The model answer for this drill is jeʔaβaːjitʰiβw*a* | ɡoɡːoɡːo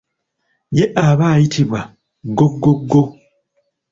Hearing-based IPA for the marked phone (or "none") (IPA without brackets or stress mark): a